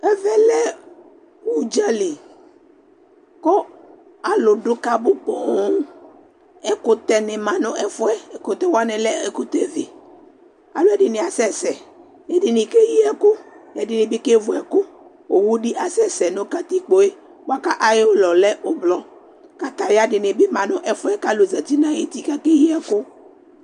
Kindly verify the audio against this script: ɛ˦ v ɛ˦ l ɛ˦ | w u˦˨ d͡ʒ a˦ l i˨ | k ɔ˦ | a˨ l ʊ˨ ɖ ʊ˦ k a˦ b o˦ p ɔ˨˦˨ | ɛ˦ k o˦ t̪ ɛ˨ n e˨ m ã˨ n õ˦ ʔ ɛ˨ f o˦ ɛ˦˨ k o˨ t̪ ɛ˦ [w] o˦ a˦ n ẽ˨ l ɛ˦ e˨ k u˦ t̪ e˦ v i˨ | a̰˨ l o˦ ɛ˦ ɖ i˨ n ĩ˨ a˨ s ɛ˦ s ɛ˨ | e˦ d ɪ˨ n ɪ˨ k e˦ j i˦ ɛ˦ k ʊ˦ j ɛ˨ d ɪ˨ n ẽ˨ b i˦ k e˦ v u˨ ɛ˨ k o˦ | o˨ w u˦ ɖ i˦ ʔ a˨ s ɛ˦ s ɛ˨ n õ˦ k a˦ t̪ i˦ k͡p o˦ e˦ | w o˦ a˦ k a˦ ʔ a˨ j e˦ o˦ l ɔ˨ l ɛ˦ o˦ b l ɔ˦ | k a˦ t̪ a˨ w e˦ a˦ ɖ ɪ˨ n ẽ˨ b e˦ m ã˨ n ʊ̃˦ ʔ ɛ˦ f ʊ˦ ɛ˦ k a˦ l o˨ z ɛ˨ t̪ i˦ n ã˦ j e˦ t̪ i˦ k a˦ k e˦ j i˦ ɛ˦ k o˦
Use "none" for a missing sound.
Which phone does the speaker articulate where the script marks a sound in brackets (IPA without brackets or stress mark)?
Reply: w